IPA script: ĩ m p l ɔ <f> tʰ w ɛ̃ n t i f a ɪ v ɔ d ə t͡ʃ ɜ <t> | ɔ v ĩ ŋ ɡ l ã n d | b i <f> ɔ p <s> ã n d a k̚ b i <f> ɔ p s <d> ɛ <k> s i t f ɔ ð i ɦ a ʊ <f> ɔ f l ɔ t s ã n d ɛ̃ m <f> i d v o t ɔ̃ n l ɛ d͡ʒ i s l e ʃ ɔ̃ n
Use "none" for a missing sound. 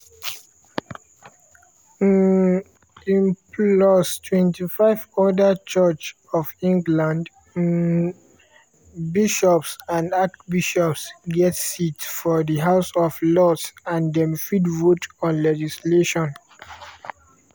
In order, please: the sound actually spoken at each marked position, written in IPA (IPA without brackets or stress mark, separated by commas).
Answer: s, t͡ʃ, ʃ, s, ʃ, ɡ, t, s, f